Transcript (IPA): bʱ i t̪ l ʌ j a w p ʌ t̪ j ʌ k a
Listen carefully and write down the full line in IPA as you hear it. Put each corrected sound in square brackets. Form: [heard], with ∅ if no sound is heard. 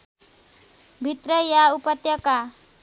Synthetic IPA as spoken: bʱ i t̪ [r] ʌ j a [u] p ʌ t̪ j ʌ k a